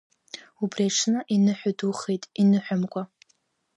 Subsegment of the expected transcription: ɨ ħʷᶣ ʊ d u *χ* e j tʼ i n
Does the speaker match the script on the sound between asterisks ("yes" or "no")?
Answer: yes